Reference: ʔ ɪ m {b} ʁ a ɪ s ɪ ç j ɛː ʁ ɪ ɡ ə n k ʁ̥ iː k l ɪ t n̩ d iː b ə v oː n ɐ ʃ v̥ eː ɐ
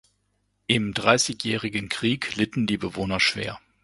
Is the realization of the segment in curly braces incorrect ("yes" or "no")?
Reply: yes